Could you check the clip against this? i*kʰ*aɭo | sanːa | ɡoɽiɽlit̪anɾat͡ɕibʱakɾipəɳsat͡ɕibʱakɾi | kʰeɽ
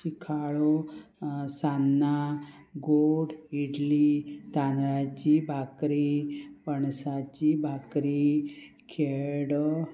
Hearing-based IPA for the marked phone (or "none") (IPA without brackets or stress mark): kʰ